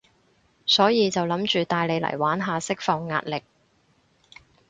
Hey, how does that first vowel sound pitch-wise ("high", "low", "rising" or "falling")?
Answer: rising